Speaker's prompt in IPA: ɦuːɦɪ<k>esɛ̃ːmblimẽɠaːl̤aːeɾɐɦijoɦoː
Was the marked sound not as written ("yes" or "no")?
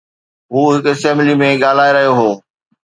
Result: no